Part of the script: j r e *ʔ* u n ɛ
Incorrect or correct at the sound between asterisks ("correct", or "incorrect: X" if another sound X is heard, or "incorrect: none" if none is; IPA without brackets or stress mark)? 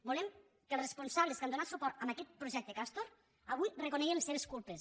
incorrect: k